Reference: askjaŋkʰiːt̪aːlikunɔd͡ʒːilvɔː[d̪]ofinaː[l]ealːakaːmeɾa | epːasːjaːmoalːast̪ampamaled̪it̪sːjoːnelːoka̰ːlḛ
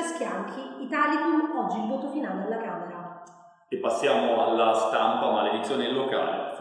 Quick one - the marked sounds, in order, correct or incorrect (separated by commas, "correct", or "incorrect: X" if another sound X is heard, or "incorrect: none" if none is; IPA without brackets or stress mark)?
incorrect: t̪, correct